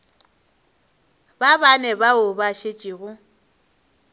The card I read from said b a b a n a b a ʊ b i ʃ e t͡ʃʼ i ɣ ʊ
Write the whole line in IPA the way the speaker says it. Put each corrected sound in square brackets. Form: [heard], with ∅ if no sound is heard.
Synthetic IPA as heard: b a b a n [ɛ] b a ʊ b [a] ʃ e t͡ʃʼ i ɣ ʊ